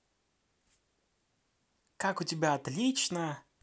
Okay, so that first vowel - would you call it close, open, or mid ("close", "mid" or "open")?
open